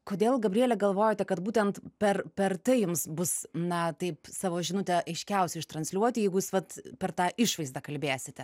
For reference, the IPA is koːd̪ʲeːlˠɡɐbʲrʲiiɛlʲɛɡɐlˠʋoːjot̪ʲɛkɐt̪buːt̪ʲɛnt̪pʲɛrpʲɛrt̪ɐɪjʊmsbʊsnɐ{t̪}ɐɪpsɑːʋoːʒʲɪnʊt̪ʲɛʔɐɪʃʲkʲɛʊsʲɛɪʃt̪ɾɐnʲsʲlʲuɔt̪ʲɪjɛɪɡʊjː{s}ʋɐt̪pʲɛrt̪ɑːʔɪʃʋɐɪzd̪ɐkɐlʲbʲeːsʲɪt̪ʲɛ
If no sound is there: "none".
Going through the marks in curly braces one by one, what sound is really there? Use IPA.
t̪, s

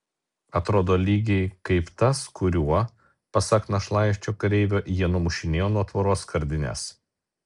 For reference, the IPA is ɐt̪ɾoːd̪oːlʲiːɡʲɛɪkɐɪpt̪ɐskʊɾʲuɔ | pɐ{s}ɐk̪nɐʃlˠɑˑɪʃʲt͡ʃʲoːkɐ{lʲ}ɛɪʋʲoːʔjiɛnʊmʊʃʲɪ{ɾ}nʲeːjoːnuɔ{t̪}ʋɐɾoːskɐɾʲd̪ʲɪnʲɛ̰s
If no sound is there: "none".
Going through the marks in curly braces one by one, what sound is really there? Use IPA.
s, ɾʲ, none, t̪

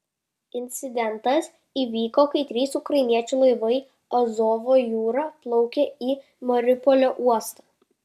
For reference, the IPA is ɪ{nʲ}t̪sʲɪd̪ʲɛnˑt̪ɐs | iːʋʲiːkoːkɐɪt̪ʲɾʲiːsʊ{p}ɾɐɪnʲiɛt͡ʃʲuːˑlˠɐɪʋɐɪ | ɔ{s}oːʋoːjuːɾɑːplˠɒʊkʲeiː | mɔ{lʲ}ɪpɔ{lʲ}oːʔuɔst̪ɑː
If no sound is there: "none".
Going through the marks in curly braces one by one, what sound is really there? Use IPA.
nʲ, k, z, ɾʲ, lʲ

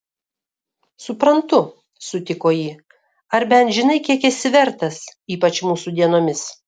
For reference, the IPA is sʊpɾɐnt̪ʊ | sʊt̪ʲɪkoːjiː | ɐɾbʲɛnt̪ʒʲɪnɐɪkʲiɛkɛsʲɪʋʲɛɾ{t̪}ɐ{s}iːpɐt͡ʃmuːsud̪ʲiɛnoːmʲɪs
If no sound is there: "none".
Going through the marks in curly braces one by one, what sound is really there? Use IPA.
t̪, s

